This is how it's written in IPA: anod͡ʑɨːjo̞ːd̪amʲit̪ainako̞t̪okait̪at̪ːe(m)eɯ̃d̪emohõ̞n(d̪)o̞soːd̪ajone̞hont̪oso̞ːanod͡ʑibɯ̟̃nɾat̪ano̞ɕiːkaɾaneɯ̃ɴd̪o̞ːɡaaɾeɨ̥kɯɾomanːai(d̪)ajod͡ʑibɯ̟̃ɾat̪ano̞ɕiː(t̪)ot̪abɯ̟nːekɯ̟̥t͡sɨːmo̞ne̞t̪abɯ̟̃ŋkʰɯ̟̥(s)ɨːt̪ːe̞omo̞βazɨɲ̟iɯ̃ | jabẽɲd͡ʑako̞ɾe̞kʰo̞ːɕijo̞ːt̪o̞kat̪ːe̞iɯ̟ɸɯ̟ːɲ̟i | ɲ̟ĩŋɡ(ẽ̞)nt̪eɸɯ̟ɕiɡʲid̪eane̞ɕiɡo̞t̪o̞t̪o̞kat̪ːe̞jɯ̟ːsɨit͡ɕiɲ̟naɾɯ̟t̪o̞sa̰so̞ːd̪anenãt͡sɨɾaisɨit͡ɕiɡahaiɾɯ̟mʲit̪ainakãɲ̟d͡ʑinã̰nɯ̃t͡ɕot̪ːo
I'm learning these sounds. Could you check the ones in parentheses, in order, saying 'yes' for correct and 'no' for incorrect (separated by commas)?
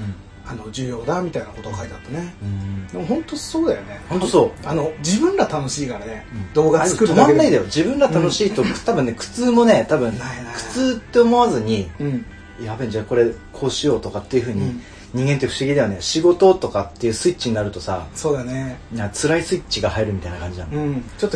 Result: no, no, yes, yes, no, no